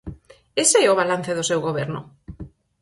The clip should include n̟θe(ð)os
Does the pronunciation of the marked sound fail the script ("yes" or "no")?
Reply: no